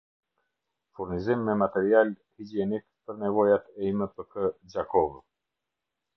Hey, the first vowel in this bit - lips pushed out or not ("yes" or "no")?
yes